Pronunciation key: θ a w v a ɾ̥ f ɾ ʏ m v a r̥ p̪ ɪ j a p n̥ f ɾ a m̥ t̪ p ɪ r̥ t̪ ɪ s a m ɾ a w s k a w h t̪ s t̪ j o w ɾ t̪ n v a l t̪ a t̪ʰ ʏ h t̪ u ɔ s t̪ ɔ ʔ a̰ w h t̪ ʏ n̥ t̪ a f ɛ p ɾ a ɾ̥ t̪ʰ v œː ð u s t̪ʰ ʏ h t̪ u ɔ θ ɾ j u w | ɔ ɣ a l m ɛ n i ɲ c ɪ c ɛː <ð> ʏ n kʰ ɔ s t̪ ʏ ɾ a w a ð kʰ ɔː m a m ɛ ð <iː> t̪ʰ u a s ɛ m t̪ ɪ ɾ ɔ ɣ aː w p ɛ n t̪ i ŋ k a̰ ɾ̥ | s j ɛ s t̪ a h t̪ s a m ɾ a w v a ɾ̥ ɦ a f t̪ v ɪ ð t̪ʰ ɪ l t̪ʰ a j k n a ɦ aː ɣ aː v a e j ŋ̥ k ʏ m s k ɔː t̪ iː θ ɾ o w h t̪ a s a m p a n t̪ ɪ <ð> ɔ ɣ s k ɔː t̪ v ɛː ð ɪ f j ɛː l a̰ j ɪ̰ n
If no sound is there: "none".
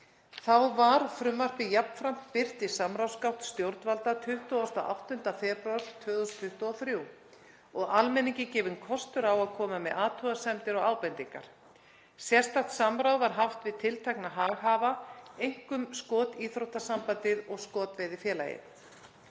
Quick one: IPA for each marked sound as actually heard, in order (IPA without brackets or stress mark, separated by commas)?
v, aː, ð